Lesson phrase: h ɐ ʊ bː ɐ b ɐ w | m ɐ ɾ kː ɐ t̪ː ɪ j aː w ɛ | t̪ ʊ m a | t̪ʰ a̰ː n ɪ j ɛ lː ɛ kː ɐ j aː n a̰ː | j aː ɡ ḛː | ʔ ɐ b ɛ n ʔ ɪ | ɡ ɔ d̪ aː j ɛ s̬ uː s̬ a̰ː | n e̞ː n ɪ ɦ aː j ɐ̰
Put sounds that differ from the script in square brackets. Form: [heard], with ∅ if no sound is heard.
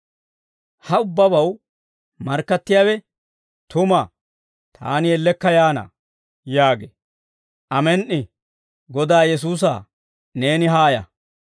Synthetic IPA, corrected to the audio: h ɐ ʊ bː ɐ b ɐ w | m ɐ ɾ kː ɐ t̪ː ɪ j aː w ɛ | t̪ ʊ m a | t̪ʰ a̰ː n ɪ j ɛ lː ɛ kː ɐ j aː n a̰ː | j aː ɡ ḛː | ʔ ɐ [m] ɛ n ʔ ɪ | ɡ ɔ d̪ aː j ɛ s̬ uː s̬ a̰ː | n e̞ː n ɪ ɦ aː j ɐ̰